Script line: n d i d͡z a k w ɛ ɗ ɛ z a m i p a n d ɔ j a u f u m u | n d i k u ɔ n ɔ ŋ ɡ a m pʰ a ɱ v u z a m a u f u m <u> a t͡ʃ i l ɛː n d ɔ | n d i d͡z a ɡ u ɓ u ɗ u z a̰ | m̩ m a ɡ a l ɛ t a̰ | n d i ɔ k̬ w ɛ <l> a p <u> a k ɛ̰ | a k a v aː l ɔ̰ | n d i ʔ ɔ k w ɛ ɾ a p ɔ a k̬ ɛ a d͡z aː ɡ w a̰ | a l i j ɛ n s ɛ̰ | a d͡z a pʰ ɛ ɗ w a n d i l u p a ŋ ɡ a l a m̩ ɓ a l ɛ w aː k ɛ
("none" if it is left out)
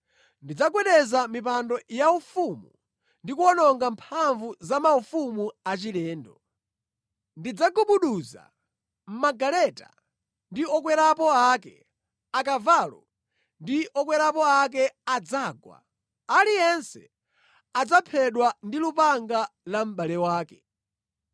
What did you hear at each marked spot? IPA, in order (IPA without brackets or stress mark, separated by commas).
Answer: u, ɾ, ɔ